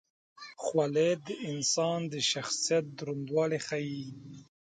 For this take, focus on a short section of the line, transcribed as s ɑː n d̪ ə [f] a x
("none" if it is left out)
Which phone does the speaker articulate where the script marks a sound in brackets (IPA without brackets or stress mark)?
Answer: ʃ